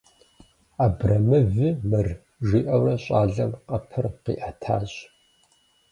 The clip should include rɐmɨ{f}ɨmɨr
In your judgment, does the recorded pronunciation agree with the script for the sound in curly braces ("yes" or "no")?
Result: no